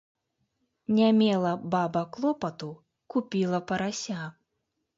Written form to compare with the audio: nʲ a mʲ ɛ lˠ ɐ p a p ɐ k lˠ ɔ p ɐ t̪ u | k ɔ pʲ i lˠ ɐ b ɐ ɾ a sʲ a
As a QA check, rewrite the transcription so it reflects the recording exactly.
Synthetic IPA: nʲ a mʲ ɛ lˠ ɐ b a b ɐ k lˠ ɔ p ɐ t̪ u | k u pʲ i lˠ ɐ p ɐ ɾ a sʲ a